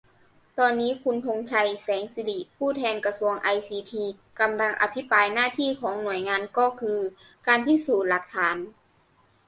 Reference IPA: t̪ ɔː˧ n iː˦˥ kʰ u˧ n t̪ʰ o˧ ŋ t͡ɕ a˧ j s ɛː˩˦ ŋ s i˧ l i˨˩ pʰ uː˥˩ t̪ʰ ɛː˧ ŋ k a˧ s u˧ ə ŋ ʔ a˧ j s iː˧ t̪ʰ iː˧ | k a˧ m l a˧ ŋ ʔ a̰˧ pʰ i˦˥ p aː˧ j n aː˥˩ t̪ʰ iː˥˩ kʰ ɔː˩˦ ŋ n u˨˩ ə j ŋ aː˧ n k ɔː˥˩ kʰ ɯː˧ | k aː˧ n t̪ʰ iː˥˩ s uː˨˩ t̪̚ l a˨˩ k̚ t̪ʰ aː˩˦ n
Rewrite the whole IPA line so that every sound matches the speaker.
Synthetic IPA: t̪ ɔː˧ nː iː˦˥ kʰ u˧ n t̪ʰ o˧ ŋ t͡ɕʰ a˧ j s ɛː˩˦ ŋ s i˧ l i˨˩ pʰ uː˥˩ t̪ʰ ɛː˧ n k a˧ s u˧ ə ŋ ʔ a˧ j s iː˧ t̪ʰ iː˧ | k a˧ m l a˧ ŋ ʔ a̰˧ pʰ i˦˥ p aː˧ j n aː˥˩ t̪ʰ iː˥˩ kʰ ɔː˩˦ ŋ n u˨˩ ə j ŋ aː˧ n k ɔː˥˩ kʰ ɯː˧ | k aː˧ n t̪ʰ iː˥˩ s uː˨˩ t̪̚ l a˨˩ k̚ t̪ʰ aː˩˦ n